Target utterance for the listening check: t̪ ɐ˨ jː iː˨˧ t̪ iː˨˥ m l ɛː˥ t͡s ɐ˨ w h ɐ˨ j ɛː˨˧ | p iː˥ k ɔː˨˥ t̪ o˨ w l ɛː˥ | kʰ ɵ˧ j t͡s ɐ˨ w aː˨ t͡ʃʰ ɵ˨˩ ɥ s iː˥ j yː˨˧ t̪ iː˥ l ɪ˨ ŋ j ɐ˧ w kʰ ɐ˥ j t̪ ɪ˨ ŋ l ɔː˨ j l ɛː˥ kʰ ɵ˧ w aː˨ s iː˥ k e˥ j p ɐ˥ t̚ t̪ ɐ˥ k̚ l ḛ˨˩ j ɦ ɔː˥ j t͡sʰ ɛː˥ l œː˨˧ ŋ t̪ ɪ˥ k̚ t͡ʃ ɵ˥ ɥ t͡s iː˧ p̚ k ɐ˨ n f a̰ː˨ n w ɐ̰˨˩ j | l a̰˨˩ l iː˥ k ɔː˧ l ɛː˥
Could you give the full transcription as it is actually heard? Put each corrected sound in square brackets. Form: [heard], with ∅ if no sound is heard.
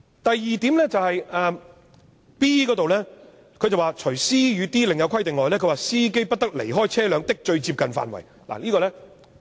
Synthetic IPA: t̪ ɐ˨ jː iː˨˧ t̪ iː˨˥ m l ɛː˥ t͡s ɐ˨ w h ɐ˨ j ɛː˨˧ | p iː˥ k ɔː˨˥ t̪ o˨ w l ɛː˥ | kʰ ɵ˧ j t͡s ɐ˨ w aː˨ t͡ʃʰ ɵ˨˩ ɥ s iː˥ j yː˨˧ t̪ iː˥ l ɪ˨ ŋ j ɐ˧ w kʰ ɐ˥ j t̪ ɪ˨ ŋ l ɔː˨ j l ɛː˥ kʰ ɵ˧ w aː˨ s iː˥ k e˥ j p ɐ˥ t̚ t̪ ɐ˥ k̚ l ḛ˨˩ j ɦ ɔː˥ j t͡sʰ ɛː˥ l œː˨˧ ŋ t̪ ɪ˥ k̚ t͡ʃ [ɵ˧] ɥ t͡s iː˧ p̚ k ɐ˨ n f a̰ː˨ n w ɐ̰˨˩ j | l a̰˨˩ l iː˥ k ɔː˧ l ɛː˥